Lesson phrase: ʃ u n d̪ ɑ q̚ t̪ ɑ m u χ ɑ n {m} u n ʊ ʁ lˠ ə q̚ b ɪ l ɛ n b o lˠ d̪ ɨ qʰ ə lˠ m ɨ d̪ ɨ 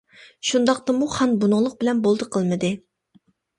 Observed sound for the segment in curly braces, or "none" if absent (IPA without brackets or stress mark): b